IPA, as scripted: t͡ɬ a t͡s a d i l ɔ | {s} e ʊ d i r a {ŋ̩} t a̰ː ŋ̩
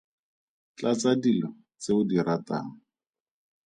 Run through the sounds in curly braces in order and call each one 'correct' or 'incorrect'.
incorrect: t͡s, incorrect: none

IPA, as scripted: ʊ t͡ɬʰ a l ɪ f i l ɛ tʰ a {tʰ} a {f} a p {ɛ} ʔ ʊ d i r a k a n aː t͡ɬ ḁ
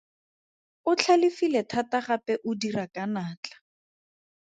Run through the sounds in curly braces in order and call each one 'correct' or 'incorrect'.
incorrect: t, incorrect: χ, correct

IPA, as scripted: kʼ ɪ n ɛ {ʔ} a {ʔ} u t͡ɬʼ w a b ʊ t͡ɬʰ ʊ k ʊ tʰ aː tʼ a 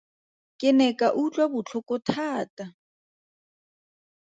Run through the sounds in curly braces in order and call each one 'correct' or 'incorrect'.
incorrect: k, correct

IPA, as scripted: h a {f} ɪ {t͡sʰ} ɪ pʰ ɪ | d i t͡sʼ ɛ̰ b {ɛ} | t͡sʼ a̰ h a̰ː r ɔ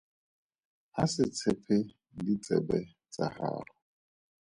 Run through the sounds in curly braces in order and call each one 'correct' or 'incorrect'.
incorrect: s, correct, correct

